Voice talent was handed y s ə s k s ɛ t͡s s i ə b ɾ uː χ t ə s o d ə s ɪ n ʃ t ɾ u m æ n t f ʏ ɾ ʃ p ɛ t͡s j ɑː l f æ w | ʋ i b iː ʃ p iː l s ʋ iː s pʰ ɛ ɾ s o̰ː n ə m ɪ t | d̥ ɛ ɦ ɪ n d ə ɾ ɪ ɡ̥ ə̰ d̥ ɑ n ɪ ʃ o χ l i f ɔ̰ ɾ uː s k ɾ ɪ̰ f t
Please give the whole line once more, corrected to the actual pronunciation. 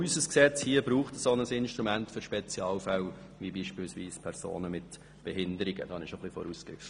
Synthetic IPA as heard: y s ə s k s ɛ t͡s h i ə b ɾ uː χ t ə s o n ə s ɪ n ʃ t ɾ u m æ n t f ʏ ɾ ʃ p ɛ t͡s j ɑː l f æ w | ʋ i b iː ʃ p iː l s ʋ iː s pʰ ɛ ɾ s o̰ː n ə m ɪ t | b̥ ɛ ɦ ɪ n d ə ɾ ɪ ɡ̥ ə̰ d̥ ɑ n ɪ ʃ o χ l i f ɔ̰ ɾ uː s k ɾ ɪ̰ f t